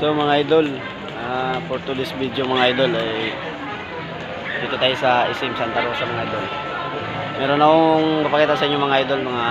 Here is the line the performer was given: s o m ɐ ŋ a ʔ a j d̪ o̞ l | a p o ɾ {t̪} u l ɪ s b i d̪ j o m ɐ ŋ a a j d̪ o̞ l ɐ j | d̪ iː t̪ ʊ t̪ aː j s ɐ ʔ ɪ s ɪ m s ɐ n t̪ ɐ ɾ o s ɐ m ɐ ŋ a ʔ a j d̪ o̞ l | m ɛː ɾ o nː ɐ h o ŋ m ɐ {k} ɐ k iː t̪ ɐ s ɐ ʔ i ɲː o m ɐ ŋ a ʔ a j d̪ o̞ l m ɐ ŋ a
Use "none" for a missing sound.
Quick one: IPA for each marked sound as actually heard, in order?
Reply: t̪, p

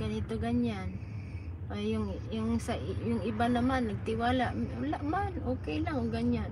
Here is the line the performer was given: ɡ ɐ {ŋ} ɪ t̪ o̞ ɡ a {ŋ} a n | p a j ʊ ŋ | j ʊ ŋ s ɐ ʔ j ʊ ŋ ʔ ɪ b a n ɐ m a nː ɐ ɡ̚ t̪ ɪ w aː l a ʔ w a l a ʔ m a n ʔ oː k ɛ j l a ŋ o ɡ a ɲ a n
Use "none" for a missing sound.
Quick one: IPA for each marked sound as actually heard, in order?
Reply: n, ɲ

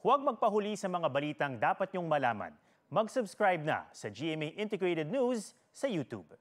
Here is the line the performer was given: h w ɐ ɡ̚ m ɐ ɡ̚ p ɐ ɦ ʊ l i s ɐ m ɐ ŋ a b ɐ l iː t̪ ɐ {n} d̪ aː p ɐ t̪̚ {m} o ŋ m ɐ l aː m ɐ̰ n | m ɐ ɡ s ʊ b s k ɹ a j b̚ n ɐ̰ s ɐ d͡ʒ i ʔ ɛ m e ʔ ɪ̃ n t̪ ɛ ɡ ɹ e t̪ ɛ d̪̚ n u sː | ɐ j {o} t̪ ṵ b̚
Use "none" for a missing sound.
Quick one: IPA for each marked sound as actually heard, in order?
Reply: ŋ, ɲ, u

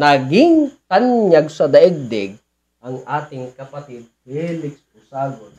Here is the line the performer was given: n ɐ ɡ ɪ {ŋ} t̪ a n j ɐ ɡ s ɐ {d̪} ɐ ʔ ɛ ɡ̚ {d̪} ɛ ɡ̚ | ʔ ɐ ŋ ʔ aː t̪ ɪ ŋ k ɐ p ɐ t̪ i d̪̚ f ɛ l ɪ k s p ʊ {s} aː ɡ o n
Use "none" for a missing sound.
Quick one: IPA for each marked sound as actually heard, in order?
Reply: ŋ, d̪, d̪, s

